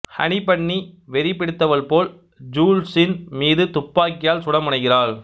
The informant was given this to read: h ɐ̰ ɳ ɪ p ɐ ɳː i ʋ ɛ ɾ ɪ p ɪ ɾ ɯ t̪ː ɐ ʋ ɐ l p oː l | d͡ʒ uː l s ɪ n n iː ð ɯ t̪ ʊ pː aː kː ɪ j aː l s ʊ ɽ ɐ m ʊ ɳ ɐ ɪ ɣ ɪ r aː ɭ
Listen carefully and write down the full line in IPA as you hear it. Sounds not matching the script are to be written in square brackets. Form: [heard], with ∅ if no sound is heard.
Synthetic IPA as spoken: h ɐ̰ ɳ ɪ p ɐ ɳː i ʋ ɛ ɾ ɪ p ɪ [ɽ] ɯ t̪ː ɐ ʋ ɐ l p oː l | d͡ʒ uː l s ɪ n [m] iː ð ɯ t̪ ʊ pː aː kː ɪ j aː l s ʊ ɽ ɐ m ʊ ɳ ɐ ɪ ɣ ɪ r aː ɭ